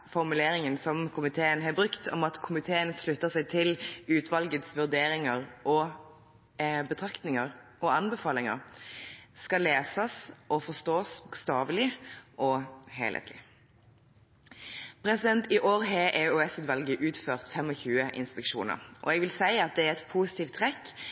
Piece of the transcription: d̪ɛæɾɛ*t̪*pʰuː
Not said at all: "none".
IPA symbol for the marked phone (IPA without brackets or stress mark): t̪